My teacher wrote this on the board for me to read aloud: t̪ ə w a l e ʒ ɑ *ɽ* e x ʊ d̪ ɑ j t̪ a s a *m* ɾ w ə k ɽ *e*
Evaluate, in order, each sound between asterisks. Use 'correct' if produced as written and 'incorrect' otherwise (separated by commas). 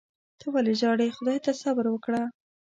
correct, incorrect, incorrect